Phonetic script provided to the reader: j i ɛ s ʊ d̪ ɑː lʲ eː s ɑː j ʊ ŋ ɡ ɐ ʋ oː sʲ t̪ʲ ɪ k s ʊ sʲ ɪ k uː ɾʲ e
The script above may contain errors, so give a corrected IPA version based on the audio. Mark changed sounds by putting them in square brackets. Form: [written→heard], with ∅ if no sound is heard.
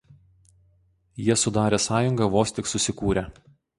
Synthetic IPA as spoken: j i ɛ s ʊ d̪ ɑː [lʲ→ɾʲ] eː s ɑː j ʊ ŋ ɡ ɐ ʋ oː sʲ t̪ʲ ɪ k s ʊ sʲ ɪ k uː ɾʲ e